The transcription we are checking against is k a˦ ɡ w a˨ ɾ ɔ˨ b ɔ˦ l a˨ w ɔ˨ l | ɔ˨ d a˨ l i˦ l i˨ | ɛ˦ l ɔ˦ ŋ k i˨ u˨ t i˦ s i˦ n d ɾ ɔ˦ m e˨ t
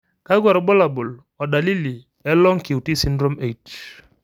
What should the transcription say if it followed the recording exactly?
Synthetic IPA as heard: k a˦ ɡ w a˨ ɾ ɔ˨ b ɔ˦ l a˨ b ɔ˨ l | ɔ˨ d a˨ l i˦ l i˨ | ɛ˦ l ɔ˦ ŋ k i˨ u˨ t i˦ s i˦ n d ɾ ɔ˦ m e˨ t